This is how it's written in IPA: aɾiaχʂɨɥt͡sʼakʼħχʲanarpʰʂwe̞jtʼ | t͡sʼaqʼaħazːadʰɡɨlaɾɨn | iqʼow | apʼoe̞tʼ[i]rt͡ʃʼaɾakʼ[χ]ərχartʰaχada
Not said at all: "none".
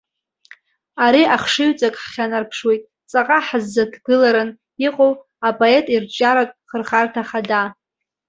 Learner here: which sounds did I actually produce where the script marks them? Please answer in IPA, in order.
i, χ

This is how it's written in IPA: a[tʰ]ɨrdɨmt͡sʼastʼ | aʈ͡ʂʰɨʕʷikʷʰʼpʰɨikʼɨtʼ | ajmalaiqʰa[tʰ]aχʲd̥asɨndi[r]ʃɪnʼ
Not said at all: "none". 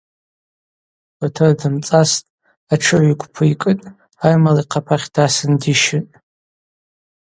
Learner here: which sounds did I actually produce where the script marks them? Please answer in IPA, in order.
tʰ, pʰ, none

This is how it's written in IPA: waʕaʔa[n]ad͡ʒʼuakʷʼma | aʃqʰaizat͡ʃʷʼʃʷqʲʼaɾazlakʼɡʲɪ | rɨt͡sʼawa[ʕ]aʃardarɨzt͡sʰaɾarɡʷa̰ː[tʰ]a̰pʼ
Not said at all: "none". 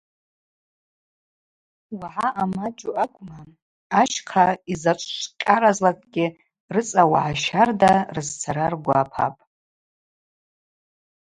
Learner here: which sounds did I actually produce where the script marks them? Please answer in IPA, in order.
m, ʕ, pʰ

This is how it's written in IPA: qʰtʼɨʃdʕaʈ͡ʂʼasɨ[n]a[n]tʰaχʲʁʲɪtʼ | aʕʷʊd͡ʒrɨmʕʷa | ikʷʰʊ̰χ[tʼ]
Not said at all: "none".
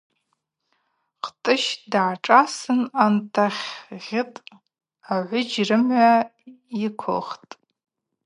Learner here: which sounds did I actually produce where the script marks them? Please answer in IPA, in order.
n, n, tʼ

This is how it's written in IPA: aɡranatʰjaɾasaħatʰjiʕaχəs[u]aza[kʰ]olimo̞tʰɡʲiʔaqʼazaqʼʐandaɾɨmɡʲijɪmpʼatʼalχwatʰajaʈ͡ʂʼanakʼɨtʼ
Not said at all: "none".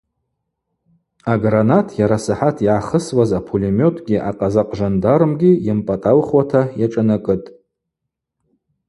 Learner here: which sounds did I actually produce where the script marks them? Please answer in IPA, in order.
w, pʰ

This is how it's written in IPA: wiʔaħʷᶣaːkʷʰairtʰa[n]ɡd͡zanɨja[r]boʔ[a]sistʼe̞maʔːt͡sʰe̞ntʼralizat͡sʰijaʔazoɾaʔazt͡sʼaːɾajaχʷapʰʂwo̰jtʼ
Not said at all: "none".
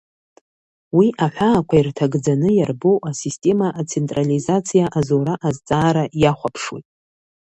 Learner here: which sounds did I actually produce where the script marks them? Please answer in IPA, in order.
none, r, a

